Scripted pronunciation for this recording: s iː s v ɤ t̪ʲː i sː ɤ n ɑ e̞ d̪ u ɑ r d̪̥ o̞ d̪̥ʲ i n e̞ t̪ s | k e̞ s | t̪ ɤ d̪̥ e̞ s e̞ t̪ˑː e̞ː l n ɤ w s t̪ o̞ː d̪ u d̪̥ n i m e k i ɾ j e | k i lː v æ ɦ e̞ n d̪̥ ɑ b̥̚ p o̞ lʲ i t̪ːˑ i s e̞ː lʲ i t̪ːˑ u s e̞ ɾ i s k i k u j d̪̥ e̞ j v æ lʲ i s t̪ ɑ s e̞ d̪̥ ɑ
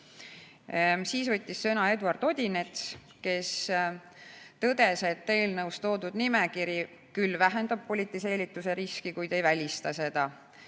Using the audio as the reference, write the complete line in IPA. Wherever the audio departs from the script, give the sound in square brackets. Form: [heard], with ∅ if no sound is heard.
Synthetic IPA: s iː s v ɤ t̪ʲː i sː ɤ n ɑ e̞ d̪ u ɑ r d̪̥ o̞ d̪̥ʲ i n e̞ t̪ s | k e̞ s | t̪ ɤ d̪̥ e̞ s e̞ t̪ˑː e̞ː l n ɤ w s t̪ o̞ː d̪ u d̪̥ n i m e k i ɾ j [i] | k [y] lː v æ ɦ e̞ n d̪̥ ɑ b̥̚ p o̞ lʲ i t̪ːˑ i s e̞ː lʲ i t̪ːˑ u s e̞ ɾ i s k i k u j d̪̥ e̞ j v æ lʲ i s t̪ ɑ s e̞ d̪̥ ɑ